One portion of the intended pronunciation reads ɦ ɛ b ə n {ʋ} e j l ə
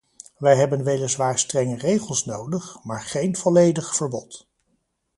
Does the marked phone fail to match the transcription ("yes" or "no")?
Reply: no